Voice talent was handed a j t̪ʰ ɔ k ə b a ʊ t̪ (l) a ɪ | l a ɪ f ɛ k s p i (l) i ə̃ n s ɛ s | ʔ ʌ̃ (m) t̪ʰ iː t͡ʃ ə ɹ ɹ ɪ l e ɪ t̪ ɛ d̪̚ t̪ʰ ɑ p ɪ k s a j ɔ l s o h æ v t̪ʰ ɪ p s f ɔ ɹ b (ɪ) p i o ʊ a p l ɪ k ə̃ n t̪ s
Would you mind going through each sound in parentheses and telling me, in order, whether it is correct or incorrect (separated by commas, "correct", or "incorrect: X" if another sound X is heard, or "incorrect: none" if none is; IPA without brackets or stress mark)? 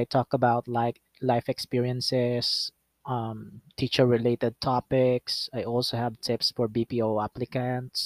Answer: correct, incorrect: ɹ, correct, incorrect: i